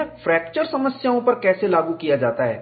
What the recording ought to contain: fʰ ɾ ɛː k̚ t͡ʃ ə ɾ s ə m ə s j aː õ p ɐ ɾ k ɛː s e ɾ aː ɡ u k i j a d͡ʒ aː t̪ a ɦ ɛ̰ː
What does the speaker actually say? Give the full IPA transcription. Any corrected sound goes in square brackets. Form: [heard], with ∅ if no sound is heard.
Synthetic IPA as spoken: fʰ ɾ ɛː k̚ t͡ʃ ə ɾ s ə m ə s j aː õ p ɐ ɾ k ɛː s e [l] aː ɡ u k i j a d͡ʒ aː t̪ a ɦ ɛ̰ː